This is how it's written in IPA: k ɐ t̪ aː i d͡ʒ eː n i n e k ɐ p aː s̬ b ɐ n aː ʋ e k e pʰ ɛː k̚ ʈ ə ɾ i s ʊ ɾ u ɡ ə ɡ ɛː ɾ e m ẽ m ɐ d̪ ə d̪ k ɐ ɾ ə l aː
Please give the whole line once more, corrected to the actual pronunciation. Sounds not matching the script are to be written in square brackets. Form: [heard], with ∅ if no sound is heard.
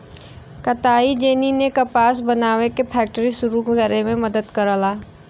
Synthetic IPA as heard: k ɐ t̪ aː i d͡ʒ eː n i n e k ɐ p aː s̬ b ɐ n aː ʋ e k e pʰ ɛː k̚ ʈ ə ɾ i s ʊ ɾ u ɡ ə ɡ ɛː ɾ e m ẽ m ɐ d̪ ə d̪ k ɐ ɾ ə l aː